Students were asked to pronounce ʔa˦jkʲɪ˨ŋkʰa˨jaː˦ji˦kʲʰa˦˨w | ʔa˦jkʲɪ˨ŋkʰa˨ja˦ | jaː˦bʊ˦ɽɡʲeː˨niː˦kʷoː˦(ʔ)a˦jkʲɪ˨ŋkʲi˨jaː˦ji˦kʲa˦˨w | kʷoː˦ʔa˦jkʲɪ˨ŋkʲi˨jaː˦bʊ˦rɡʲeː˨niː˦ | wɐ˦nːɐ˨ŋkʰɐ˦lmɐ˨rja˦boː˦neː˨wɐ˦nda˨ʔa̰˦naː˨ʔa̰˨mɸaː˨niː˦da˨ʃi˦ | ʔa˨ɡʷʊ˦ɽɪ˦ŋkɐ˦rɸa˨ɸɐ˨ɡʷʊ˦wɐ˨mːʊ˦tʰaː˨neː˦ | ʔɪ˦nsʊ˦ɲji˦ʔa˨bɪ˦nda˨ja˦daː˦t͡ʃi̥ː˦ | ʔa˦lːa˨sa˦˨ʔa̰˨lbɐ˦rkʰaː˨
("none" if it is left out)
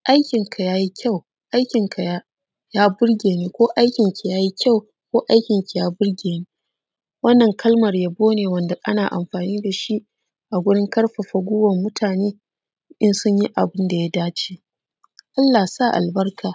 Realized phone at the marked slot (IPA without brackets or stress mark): ʔ